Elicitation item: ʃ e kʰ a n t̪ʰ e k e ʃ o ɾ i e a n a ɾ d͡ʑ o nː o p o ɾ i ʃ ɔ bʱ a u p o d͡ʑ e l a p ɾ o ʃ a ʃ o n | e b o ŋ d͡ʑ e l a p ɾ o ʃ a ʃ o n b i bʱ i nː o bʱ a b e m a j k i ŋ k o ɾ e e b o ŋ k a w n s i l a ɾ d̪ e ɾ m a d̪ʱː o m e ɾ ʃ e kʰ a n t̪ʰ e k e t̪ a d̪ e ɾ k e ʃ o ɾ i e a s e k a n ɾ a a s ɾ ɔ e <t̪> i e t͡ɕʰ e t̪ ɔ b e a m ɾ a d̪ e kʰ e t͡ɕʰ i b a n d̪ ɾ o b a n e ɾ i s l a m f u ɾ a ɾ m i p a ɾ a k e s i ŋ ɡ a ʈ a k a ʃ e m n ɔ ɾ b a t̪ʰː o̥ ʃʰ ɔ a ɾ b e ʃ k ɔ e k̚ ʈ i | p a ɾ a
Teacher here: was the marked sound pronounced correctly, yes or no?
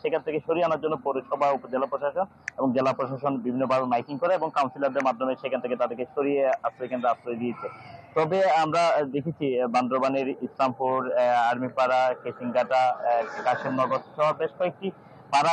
no